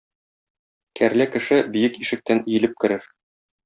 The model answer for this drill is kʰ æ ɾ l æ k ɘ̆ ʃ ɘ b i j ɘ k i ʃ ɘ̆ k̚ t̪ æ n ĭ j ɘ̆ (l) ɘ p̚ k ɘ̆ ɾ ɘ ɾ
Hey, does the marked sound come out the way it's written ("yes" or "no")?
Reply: yes